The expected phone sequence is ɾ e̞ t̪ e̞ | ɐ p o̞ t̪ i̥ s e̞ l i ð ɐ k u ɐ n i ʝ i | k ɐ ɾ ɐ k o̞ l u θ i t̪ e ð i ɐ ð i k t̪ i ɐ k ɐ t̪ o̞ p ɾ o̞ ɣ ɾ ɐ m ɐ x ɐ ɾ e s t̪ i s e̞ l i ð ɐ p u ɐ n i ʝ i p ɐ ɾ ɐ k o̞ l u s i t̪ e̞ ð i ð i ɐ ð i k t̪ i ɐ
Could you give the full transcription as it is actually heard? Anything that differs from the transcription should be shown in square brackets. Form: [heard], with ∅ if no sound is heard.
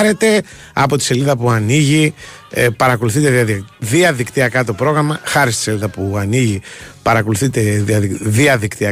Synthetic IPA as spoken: ɾ e̞ t̪ e̞ | ɐ p o̞ t̪ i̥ s e̞ l i ð ɐ [p] u ɐ n i ʝ i | [p] ɐ ɾ ɐ k o̞ l u θ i t̪ e ð i ɐ ð i k t̪ i ɐ k ɐ t̪ o̞ p ɾ o̞ ɣ ɾ ɐ m ɐ x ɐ ɾ [i] s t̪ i s e̞ l i ð ɐ p u ɐ n i ʝ i p ɐ ɾ ɐ k o̞ l u [θ] i t̪ e̞ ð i ð i ɐ ð i k t̪ i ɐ